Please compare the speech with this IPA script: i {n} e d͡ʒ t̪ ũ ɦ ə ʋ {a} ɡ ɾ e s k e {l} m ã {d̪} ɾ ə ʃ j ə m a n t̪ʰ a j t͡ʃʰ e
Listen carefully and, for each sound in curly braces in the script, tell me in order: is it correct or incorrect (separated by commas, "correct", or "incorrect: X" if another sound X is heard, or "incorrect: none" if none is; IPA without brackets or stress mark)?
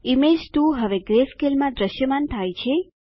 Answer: incorrect: m, incorrect: e, correct, correct